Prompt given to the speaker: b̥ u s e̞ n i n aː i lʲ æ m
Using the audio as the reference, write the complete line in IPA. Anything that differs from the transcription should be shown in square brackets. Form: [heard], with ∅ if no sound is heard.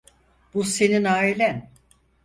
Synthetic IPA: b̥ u s e̞ n i n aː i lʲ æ [n]

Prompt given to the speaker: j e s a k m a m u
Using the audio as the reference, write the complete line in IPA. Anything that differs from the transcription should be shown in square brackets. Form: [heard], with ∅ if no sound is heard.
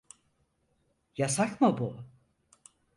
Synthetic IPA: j [a] s a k m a [b] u

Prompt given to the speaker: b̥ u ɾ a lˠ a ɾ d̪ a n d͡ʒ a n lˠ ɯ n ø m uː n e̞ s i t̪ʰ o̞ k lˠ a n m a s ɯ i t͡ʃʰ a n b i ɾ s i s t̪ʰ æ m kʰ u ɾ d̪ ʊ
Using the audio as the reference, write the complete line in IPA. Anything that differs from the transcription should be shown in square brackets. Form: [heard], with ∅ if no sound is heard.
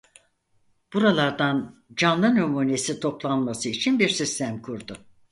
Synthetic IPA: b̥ u ɾ a lˠ a ɾ d̪ a n d͡ʒ a n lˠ ɯ n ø m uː n e̞ s i t̪ʰ o̞ [p] lˠ a n m a s ɯ i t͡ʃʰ [i] n b i ɾ s i s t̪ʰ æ m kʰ u ɾ d̪ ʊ

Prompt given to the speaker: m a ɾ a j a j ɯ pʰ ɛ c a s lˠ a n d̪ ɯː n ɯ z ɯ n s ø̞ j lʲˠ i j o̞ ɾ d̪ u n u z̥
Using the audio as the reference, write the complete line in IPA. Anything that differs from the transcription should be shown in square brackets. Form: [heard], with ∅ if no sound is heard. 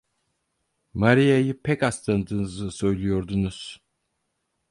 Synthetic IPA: m a ɾ [i] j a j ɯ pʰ ɛ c a s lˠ a n d̪ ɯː n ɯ z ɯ [∅] s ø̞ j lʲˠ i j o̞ ɾ d̪ u n u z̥

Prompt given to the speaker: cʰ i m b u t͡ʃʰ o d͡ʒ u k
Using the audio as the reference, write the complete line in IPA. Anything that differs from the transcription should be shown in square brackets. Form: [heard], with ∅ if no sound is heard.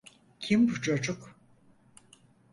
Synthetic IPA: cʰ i m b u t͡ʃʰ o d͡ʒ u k

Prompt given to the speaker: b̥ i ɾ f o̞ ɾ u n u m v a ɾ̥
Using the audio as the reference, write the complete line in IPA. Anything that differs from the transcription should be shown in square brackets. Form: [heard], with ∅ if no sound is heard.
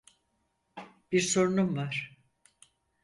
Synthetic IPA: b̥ i ɾ [s] o̞ ɾ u n u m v a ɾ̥

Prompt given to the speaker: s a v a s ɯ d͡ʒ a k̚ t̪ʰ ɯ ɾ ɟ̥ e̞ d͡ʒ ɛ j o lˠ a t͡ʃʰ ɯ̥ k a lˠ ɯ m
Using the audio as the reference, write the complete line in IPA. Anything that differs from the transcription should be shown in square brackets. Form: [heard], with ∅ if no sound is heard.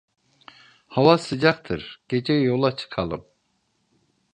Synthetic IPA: [h] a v a s ɯ d͡ʒ a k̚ t̪ʰ ɯ ɾ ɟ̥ e̞ d͡ʒ ɛ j o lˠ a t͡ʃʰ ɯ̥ [kʰ] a lˠ ɯ m

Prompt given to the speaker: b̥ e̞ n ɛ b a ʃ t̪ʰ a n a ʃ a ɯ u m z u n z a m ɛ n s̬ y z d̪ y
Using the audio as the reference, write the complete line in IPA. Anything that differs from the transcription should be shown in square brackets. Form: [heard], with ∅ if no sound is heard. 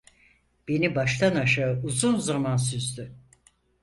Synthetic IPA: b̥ e̞ n [i] b a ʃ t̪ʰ a n a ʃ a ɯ u [∅] z u n z a m [a] n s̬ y z d̪ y

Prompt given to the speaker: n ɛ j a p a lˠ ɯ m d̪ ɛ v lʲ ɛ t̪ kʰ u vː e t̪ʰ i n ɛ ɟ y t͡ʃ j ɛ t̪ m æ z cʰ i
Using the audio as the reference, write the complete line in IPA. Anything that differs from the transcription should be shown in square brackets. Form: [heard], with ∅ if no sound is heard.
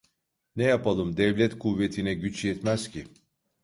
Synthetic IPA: n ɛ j a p a lˠ ɯ m d̪ ɛ v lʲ ɛ t̪ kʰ u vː e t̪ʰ i n ɛ ɟ y t͡ʃ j ɛ t̪ m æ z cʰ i

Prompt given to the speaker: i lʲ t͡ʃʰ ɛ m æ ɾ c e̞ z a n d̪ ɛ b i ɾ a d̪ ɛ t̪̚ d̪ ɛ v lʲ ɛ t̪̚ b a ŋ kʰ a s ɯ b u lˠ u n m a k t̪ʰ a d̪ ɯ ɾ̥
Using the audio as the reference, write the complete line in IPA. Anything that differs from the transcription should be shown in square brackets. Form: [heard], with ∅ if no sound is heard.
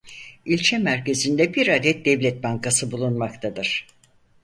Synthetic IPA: i lʲ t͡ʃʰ ɛ m æ ɾ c e̞ z [i] n d̪ ɛ b i ɾ a d̪ ɛ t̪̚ d̪ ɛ v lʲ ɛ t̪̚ b a ŋ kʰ a s ɯ b u lˠ u n m a k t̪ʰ a d̪ ɯ ɾ̥

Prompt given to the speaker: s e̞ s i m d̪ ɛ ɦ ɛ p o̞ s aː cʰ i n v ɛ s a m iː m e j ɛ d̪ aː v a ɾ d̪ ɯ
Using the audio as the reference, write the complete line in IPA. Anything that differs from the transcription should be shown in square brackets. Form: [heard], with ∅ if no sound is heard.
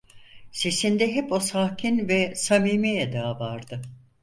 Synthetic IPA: s e̞ s i [n] d̪ ɛ ɦ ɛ p o̞ s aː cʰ i n v ɛ s a m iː m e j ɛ d̪ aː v a ɾ d̪ ɯ

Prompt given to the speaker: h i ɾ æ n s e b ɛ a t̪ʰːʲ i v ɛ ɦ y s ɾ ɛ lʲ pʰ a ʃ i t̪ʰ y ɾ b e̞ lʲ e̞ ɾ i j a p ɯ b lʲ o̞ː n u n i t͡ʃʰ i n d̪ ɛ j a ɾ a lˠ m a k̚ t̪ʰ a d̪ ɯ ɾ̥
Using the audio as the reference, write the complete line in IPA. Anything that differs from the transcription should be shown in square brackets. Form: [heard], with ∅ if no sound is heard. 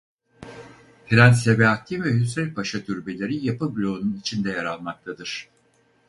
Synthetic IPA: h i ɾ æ n s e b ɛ a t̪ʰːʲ i v ɛ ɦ y s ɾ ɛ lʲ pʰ a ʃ [a] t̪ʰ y ɾ b e̞ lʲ e̞ ɾ i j a p ɯ b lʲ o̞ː n u n i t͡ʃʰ i n d̪ ɛ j a ɾ a lˠ m a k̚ t̪ʰ a d̪ ɯ ɾ̥

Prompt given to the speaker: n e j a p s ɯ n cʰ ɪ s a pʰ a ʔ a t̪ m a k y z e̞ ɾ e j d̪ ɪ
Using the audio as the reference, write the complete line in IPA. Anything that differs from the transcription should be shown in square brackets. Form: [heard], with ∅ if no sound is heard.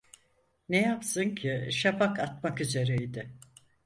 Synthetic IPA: n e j a p s ɯ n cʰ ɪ [ʃ] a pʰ a [k] a t̪ m a k y z e̞ ɾ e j d̪ ɪ

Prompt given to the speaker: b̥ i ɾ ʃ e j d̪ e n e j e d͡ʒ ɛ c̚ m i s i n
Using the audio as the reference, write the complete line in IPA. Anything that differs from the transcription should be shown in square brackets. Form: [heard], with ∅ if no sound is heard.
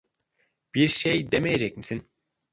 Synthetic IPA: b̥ i ɾ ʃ e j d̪ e [m] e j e d͡ʒ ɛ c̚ m i s i n

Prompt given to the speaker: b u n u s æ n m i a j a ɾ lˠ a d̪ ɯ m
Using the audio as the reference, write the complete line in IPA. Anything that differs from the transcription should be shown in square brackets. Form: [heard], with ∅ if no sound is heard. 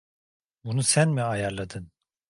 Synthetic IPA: b u n u s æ n m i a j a ɾ lˠ a d̪ ɯ [n]

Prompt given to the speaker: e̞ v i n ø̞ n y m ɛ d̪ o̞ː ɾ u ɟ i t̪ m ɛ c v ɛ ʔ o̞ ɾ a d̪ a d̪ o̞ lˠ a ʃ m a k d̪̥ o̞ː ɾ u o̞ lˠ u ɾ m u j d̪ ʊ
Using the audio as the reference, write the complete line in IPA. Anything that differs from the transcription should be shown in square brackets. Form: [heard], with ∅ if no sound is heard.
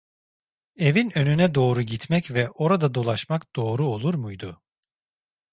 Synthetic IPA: e̞ v i n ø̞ n y [n] ɛ d̪ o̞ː ɾ u ɟ i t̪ m ɛ c v ɛ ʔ o̞ ɾ a d̪ a d̪ o̞ lˠ a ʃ m a k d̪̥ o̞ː ɾ u o̞ lˠ u ɾ m u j d̪ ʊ

